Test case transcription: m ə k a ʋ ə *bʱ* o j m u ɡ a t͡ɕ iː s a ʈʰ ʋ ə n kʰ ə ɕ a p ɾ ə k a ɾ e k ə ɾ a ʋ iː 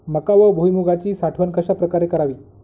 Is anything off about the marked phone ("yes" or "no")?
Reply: no